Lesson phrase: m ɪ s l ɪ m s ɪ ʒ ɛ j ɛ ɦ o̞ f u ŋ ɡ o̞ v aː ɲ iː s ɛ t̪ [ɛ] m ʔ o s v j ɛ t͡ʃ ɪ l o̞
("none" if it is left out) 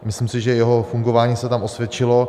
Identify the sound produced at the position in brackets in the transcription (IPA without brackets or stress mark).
a